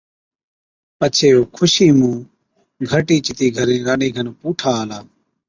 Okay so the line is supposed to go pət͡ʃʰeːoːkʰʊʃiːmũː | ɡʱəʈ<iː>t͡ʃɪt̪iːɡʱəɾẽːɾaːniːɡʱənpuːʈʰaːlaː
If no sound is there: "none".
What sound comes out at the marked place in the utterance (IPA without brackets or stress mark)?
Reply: iː